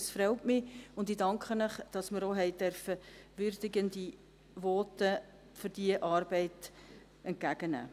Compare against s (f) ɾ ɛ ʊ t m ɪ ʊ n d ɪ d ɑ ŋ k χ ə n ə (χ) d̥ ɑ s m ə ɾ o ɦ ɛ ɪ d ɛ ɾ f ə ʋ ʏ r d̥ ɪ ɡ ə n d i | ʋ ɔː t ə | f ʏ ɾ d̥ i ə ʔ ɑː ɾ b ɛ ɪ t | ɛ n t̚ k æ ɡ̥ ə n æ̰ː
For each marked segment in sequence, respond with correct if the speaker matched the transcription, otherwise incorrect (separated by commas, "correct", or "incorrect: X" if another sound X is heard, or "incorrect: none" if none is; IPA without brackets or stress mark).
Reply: correct, correct